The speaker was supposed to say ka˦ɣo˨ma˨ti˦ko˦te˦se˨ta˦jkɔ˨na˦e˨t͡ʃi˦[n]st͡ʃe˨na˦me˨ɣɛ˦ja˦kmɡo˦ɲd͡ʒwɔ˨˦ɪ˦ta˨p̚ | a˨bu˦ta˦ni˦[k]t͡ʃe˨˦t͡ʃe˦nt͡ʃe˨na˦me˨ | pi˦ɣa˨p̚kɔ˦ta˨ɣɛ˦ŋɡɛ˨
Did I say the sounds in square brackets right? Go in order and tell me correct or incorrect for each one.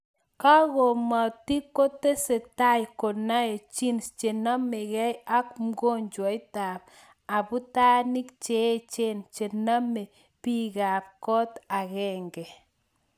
correct, correct

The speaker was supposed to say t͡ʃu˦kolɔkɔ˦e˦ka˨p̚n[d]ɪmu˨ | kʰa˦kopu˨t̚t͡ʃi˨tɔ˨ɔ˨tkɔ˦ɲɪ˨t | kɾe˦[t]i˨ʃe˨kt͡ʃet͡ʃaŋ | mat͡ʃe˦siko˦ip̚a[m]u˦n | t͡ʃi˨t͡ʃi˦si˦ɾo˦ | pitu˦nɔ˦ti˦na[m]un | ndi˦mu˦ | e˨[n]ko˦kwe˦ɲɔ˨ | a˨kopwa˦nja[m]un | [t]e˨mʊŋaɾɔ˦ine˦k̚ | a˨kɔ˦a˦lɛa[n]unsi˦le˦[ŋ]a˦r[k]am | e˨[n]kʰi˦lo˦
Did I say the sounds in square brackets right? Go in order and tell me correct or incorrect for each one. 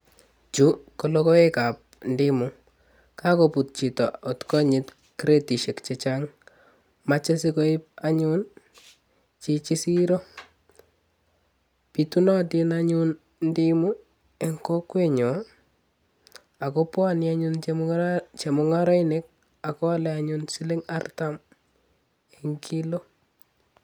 correct, correct, incorrect: ɲ, incorrect: ɲ, incorrect: ŋ, incorrect: ɲ, incorrect: t͡ʃ, incorrect: ɲ, correct, incorrect: t, incorrect: ŋ

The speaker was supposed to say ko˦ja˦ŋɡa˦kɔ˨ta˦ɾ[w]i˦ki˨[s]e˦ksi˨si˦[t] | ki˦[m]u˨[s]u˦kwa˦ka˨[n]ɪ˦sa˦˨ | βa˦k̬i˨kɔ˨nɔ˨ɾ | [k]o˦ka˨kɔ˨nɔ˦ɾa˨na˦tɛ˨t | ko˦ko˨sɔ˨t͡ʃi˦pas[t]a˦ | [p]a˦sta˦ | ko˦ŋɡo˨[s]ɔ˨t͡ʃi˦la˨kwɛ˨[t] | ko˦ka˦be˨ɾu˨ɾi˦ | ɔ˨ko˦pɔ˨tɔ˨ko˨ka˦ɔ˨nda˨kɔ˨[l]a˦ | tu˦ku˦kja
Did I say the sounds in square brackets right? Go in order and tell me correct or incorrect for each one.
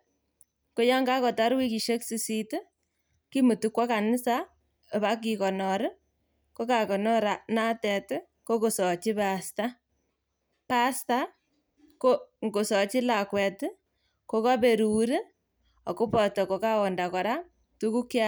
correct, incorrect: ʃ, correct, correct, incorrect: t, correct, correct, correct, correct, correct, correct, incorrect: ɾ

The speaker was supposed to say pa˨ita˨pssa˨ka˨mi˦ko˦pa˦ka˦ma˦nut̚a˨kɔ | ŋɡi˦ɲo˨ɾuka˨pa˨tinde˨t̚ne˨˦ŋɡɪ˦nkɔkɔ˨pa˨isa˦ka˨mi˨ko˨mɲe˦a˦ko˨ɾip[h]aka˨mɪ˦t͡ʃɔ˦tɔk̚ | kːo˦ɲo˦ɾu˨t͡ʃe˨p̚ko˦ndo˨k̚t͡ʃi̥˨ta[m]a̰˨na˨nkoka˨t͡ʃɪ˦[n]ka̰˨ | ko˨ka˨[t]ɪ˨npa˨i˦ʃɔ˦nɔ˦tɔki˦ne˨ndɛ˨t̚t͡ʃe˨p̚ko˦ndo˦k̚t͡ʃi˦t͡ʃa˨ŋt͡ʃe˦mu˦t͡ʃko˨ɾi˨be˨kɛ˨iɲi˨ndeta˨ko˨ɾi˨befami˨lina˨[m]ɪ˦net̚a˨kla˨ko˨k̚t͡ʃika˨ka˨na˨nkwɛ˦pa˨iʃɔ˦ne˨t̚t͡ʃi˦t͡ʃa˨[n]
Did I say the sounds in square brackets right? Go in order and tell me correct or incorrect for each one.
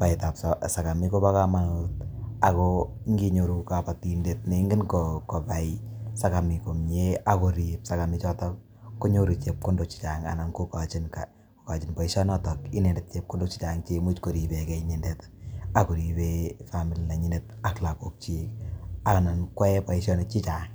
incorrect: s, incorrect: ŋ, correct, incorrect: t͡ʃ, incorrect: ɲ, incorrect: ŋ

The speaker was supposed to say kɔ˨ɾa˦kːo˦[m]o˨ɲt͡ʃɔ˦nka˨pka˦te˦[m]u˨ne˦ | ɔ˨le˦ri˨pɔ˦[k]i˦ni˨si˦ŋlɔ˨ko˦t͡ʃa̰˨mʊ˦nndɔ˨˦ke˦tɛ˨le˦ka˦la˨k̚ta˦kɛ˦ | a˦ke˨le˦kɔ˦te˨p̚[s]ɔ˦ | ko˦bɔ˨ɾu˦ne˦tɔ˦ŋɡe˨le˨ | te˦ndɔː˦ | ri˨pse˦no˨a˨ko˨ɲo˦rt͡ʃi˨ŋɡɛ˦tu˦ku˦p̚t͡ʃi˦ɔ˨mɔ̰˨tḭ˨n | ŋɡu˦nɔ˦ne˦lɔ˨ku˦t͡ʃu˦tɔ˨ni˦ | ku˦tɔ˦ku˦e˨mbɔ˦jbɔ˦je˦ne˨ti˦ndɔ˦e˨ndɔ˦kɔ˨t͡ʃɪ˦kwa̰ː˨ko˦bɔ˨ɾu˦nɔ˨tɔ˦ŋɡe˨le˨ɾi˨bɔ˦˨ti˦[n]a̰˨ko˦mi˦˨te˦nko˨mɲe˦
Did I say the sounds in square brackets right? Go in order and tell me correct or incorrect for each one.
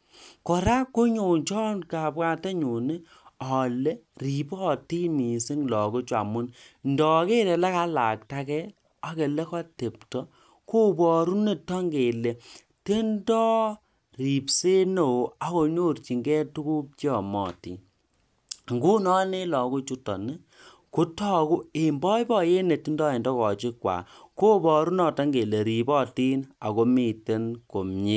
incorrect: ɲ, incorrect: ɲ, incorrect: t, incorrect: t, correct

